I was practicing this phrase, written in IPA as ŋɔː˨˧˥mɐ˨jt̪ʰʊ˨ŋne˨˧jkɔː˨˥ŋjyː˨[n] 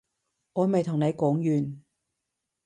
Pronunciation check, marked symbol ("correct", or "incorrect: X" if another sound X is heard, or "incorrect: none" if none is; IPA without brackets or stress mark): correct